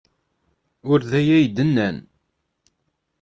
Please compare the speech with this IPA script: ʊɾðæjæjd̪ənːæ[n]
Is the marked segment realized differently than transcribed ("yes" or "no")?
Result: no